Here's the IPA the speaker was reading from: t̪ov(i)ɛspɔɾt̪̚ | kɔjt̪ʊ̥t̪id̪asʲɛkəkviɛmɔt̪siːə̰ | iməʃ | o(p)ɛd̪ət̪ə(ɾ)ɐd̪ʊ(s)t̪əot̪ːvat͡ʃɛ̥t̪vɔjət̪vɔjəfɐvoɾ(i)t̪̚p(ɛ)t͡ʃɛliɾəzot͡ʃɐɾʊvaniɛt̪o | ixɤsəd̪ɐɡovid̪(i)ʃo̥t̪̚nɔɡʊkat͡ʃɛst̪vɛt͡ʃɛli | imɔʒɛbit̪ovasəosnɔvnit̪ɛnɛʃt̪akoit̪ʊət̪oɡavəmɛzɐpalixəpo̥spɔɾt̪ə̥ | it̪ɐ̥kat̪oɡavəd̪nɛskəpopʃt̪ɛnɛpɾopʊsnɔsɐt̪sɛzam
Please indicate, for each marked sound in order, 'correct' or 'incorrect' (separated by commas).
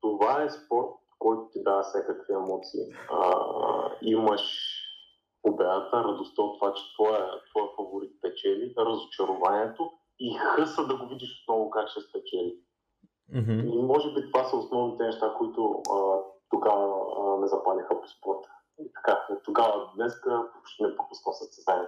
incorrect, incorrect, correct, correct, correct, correct, correct